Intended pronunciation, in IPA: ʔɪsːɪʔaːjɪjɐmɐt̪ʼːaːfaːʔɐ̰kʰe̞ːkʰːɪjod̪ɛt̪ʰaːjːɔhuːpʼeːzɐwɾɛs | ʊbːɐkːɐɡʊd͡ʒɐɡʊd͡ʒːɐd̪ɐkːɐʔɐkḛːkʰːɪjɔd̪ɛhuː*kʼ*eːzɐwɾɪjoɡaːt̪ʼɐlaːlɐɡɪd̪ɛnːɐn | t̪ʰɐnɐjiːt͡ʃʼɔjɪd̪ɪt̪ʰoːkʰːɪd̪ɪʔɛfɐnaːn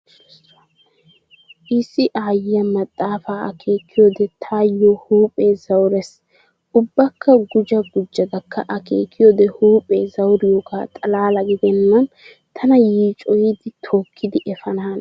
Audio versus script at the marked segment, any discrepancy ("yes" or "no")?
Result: yes